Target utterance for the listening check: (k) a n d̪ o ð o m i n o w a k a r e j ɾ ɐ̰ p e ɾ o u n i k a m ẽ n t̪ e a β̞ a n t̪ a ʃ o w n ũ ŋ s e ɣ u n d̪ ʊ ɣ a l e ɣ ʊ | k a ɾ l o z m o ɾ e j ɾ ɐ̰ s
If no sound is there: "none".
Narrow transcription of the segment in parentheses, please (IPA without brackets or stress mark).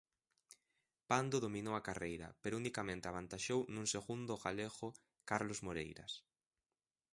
p